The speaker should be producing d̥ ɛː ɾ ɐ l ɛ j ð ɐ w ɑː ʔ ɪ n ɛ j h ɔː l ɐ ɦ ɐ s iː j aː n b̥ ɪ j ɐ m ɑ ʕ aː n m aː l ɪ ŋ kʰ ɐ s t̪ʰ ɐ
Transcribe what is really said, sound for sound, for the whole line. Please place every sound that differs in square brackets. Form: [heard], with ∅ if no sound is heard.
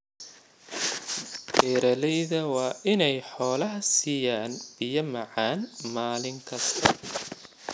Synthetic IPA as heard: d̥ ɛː ɾ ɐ l ɛ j ð ɐ w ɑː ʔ ɪ n ɛ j [ħ] ɔː l ɐ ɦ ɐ s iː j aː n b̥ ɪ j ɐ m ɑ ʕ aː n m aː l ɪ ŋ kʰ ɐ s t̪ʰ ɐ